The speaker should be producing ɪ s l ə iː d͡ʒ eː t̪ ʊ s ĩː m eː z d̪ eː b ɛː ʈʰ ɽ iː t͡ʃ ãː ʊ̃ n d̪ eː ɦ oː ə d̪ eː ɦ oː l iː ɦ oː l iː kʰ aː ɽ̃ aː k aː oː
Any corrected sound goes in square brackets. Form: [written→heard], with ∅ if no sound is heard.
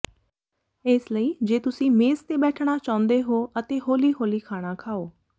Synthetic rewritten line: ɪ s l ə iː d͡ʒ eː t̪ ʊ s ĩː m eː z [d̪→t̪] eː b ɛː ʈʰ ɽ [iː→aː] t͡ʃ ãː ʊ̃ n d̪ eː ɦ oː ə [d̪→t̪] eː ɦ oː l iː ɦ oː l iː kʰ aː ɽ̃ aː [k→kʰ] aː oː